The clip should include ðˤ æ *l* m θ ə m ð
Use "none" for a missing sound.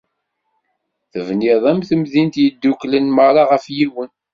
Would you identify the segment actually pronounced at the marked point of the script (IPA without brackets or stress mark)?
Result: none